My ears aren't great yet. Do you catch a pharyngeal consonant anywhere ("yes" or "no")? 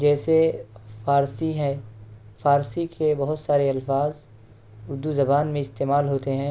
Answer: no